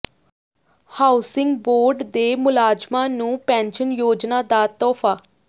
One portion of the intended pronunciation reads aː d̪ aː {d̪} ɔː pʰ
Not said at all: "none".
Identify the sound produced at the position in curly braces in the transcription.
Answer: t̪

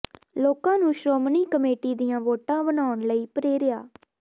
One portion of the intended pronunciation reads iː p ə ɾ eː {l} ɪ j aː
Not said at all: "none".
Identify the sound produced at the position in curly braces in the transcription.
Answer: ɾ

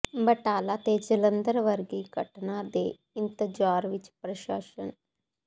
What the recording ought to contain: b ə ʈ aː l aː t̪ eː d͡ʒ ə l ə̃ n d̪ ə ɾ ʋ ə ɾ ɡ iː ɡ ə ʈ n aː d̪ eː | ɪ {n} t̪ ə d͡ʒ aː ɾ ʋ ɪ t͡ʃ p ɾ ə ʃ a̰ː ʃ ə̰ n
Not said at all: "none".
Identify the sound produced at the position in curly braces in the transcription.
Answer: n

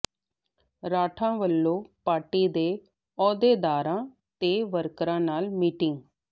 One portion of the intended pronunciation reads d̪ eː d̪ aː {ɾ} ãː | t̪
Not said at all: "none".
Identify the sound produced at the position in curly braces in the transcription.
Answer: ɾ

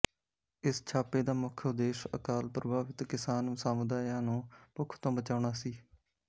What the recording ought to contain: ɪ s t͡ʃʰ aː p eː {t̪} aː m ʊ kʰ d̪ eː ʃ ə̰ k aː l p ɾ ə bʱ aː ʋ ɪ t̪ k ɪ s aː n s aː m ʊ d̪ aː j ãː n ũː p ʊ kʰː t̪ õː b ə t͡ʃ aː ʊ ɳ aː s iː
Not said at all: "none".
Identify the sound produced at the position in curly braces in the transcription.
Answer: d̪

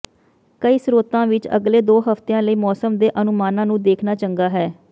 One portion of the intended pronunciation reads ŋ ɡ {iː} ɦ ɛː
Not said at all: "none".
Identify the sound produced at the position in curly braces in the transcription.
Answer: aː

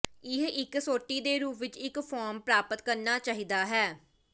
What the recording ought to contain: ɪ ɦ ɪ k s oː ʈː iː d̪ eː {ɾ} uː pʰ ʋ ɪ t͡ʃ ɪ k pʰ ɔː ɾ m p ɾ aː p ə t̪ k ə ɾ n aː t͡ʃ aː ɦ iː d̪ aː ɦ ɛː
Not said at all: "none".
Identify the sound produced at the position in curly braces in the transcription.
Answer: ɾ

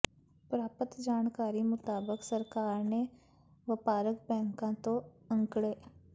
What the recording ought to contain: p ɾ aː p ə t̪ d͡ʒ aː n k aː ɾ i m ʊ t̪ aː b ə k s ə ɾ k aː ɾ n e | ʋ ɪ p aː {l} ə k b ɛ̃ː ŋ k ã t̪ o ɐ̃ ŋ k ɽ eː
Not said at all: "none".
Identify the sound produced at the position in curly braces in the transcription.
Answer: ɾ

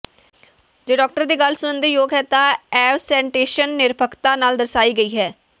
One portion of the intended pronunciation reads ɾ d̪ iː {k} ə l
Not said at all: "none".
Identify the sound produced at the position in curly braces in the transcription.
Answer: ɡ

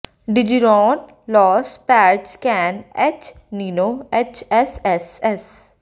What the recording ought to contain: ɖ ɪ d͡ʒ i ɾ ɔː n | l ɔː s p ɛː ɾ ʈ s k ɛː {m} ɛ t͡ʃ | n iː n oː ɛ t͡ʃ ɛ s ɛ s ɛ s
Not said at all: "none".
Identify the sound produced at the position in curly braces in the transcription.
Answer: n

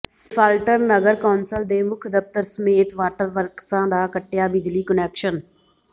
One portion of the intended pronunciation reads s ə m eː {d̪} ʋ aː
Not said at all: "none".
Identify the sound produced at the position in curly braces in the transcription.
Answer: t̪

